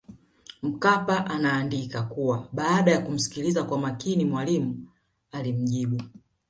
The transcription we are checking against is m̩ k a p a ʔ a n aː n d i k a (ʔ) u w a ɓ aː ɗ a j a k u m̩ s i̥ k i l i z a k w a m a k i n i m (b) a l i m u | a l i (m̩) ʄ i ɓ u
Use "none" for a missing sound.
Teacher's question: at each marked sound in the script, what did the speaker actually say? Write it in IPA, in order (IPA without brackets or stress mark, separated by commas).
k, w, m̩